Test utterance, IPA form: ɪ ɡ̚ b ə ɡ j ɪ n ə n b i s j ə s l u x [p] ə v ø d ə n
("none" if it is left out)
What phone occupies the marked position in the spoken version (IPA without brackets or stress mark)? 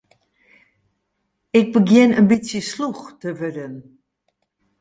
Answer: t